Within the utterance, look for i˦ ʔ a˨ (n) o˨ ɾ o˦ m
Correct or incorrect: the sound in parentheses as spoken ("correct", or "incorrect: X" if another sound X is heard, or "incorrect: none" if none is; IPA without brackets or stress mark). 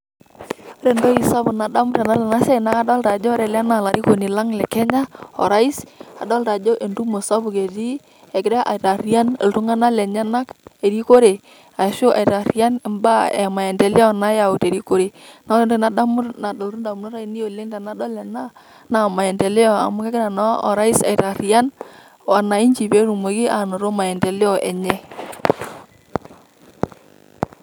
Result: correct